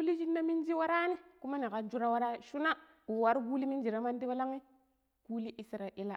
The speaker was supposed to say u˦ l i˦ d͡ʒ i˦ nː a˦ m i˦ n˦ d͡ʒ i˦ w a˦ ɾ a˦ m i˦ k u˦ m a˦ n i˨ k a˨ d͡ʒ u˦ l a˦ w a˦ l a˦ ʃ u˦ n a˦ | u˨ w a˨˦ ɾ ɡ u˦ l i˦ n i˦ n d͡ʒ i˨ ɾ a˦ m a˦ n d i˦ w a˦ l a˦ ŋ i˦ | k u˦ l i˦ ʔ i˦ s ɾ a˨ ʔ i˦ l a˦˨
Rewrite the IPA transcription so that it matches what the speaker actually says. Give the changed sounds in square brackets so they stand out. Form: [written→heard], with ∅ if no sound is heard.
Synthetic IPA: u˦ l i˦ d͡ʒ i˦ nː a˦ m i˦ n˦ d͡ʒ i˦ w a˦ ɾ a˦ [m→n] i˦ k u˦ m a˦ n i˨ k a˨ d͡ʒ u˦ [l→ɾ] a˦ w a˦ [l→ɾ] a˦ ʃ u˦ n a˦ | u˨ w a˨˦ ɾ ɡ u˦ l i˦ [n→m] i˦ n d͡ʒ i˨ ɾ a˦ m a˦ n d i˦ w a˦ l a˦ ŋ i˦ | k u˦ l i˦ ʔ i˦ s ɾ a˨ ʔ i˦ l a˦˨